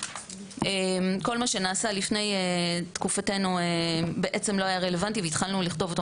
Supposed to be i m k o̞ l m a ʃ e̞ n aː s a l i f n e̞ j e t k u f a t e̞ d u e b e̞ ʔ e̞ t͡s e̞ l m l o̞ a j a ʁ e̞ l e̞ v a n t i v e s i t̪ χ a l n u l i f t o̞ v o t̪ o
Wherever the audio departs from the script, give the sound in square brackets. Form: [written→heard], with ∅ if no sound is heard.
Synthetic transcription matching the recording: [i→e] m k o̞ l m a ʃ e̞ n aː s a l i f n e̞ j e t k u f a t e̞ [d→n] u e b e̞ ʔ e̞ t͡s e̞ [l→∅] m l o̞ a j a ʁ e̞ l e̞ v a n t i v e [s→∅] i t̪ χ a l n u l i [f→χ] t o̞ v o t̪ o

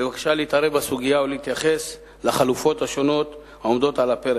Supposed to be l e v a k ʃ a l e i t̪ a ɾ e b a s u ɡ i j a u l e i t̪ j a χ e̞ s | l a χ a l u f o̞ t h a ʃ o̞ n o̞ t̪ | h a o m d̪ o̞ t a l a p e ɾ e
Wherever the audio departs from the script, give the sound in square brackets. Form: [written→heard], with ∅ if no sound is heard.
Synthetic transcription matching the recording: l e v a k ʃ a l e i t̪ a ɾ e b a s u ɡ i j a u l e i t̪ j a χ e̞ s | l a χ a l u f o̞ t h a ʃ o̞ n o̞ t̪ | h a o m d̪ o̞ t a l a p e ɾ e

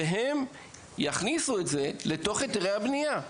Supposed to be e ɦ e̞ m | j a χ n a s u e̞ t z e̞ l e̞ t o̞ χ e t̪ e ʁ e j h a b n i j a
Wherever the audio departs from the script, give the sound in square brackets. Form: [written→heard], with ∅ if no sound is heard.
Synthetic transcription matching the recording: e ɦ e̞ m | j a χ n [a→i] s u e̞ t z e̞ l e̞ t o̞ χ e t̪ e ʁ e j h a b n i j a

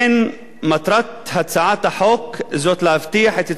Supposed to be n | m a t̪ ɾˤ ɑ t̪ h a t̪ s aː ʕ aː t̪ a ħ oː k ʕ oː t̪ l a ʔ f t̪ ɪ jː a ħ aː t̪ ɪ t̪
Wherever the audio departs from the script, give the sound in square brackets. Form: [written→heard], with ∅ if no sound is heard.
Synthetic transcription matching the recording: n | m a t̪ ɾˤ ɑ t̪ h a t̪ s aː ʕ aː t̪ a ħ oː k [ʕ→z] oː t̪ l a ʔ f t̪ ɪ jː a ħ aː t̪ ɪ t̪

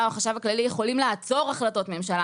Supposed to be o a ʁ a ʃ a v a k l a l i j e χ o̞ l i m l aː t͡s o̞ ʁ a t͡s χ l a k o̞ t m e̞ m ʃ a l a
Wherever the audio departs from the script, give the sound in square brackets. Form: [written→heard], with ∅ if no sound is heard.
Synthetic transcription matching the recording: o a [ʁ→χ] a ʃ a v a k l a l i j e χ o̞ l i m l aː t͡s o̞ ʁ a [t͡s→∅] χ l a [k→t] o̞ t m e̞ m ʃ a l a

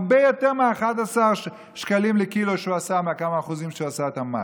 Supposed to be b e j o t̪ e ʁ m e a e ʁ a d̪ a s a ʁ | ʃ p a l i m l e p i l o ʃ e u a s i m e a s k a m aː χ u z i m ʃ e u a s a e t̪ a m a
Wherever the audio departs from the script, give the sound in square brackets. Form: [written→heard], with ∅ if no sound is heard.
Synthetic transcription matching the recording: b e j o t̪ e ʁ m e a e [ʁ→χ] a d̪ a s a ʁ | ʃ [p→k] a l i m l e [p→k] i l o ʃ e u a s [i→a] m e a [s→∅] k a m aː χ u z i m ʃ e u a s a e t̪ a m a

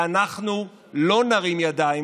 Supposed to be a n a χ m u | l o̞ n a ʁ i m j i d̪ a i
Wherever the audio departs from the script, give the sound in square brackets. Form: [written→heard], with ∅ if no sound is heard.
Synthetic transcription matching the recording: a n a χ [m→n] u | l o̞ n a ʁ i m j [i→a] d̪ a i

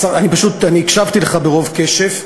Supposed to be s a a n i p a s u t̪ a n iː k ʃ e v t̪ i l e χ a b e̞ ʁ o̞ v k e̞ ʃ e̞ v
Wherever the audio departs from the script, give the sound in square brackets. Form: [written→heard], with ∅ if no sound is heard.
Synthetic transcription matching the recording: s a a n i p a [s→ʃ] u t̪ a n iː k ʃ [e→a] v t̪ i l e χ a b e̞ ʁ o̞ v k e̞ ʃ e̞ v

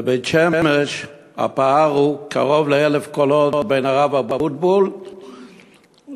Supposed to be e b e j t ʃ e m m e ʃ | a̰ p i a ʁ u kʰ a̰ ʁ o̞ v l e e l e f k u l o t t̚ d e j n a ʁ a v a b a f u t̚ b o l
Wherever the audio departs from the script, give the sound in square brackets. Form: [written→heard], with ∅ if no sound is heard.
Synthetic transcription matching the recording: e b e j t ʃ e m m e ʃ | a̰ p [i→a] a ʁ u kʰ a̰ ʁ o̞ v l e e l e f k [u→o] l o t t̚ [d→b] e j n a ʁ a v a b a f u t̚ b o l

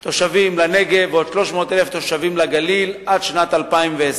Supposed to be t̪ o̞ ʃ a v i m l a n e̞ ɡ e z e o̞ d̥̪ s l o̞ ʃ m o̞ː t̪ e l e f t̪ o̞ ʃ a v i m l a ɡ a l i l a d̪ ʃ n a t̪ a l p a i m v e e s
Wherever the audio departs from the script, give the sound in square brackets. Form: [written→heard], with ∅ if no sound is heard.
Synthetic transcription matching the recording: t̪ o̞ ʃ a v i m l a n e̞ ɡ e [z→v] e o̞ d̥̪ [s→ʃ] l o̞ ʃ m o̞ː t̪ e l e f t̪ o̞ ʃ a v i m l a ɡ a l i l a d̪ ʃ n a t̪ a l p a i m v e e s

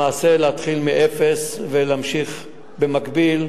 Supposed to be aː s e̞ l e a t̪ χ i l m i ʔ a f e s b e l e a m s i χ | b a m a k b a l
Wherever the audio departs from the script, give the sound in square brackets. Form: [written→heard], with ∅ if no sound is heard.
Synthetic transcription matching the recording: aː s e̞ l e a t̪ χ i l m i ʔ [a→e] f e s [b→v] e l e a m [s→ʃ] i χ | b [a→e] m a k b [a→i] l

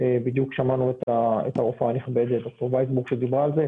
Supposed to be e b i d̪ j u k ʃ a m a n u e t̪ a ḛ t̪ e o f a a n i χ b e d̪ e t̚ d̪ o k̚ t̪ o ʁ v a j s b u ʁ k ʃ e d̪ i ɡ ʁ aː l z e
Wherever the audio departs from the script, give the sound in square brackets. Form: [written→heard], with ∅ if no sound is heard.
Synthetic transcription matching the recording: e b i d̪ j u k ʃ a m a n u e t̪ a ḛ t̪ [e→a] o f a a n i χ b e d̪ e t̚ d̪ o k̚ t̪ o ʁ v a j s b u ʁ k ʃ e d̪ i [ɡ→b] ʁ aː l z e

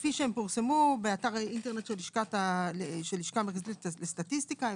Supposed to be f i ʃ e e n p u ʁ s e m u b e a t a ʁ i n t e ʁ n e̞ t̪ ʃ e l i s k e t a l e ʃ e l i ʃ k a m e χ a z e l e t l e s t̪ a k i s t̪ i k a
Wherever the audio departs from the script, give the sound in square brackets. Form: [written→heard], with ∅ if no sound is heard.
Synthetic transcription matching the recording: f i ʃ e e [n→m] p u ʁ s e m u b e a t a ʁ i n t e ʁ n e̞ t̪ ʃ e l i [s→ʃ] k [e→a] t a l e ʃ e l i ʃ k a m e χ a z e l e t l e s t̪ a [k→t] i s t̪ i k a

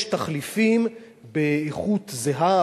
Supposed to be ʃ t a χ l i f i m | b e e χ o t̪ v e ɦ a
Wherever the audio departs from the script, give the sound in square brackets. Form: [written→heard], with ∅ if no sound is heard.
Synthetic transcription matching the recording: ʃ t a χ l i f i m | b e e χ [o→u] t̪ [v→z] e ɦ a

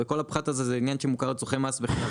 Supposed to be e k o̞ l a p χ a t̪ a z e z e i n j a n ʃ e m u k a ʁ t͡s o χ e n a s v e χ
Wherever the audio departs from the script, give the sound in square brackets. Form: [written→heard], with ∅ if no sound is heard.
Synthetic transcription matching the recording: e k o̞ l a p χ a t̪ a z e z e i n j a n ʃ e m u k a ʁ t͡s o χ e [n→m] a s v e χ

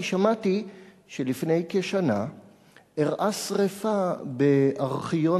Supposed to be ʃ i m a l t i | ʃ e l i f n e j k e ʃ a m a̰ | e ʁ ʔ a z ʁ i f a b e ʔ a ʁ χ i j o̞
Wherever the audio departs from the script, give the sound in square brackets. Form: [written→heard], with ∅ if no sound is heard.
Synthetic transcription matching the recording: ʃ [i→a] m a [l→∅] t i | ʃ e l i f n e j k e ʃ a [m→n] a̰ | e ʁ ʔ a [z→s] ʁ [i→e] f a b e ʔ a ʁ χ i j o̞

